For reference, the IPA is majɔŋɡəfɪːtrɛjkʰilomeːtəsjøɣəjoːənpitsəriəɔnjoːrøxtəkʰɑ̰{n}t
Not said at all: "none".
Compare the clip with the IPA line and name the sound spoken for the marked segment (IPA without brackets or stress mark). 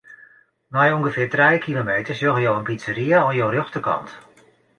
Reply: n